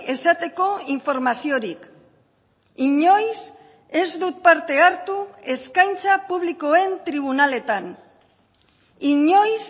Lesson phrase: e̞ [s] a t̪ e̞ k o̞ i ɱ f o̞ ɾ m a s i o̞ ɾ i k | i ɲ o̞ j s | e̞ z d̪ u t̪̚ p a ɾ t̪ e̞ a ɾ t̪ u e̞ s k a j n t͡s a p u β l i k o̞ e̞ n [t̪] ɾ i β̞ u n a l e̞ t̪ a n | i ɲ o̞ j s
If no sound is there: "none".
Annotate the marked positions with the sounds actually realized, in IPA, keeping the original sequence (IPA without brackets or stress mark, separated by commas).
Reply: s, t̪